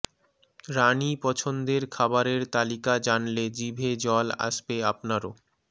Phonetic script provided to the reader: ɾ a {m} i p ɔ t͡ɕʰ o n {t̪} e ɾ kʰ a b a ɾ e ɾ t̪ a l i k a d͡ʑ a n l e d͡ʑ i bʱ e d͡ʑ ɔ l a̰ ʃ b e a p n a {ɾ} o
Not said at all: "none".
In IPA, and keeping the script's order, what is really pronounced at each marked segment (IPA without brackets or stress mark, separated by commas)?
n, d̪, ɾ